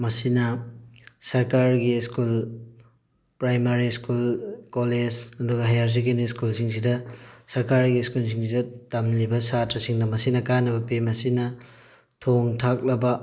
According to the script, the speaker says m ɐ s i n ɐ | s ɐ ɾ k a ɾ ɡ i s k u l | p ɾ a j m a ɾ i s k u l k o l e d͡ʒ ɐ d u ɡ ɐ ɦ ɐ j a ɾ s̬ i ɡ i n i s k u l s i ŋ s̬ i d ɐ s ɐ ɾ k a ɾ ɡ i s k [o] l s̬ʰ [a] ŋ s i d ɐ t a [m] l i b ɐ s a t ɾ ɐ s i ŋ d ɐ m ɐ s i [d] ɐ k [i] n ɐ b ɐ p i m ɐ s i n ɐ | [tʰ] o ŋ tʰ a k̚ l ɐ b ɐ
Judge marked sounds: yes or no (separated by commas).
no, no, yes, no, no, yes